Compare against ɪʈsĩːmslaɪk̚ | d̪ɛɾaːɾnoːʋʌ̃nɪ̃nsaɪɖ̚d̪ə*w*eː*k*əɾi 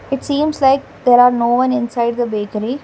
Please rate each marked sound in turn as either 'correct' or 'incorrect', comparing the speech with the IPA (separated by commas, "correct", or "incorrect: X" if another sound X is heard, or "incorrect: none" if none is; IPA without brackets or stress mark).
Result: incorrect: b, correct